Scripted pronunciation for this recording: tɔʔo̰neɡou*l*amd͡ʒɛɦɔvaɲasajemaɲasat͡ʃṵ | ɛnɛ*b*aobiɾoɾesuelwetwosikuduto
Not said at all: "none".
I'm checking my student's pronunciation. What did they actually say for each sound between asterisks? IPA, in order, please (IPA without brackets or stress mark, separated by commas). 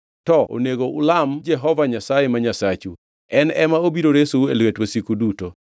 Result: l, m